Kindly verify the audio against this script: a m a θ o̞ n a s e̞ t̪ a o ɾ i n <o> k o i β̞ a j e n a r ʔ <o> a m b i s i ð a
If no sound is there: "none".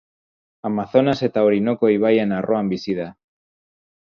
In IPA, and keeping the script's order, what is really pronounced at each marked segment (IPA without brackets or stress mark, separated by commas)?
o, o